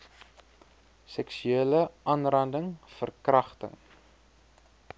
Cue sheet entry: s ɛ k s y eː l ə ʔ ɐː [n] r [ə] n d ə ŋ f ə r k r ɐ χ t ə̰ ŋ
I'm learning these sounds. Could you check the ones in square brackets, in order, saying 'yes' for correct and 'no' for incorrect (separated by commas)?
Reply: yes, no